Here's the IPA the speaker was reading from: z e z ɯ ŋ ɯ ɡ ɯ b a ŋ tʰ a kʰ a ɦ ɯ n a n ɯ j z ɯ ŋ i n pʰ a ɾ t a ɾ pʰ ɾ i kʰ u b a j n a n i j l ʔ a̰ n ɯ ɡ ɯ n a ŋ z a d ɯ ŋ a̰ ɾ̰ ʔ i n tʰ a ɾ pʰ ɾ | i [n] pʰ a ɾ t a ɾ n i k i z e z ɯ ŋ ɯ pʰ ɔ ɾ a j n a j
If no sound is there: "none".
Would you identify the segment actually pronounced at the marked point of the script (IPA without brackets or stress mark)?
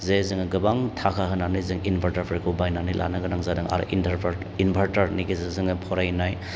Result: n